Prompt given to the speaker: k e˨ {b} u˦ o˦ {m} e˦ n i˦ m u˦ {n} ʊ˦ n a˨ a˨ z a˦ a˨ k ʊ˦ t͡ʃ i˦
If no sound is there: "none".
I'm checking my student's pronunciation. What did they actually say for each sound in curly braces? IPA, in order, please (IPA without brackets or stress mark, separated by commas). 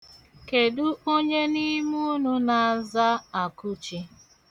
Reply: d, ɲ, n